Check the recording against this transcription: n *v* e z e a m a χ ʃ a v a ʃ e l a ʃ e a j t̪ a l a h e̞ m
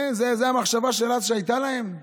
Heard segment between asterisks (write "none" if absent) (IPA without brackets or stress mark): z